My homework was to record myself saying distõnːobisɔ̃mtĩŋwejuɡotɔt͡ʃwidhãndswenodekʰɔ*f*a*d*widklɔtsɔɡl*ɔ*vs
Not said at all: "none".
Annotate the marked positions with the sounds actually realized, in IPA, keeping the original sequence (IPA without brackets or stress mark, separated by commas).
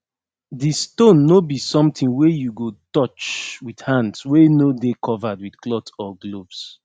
v, d, o